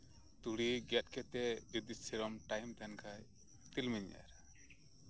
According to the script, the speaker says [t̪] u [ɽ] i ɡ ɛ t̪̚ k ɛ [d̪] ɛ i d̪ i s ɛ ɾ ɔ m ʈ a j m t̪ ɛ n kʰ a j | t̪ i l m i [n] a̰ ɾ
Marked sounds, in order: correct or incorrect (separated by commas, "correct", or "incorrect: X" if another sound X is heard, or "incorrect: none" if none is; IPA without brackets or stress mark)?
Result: correct, correct, incorrect: t̪, incorrect: ɲ